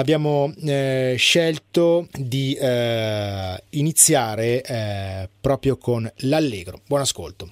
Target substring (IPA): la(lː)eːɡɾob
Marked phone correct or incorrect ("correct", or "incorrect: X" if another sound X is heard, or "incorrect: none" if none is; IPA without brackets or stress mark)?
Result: correct